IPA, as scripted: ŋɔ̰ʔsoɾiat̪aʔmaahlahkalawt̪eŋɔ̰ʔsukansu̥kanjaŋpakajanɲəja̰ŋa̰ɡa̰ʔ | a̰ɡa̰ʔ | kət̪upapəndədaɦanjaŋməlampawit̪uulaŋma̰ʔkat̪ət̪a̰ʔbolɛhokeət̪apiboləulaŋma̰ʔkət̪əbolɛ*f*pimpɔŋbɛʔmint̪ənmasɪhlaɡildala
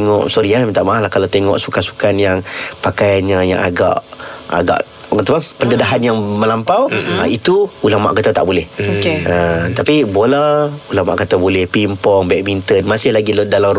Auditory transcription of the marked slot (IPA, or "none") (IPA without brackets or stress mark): h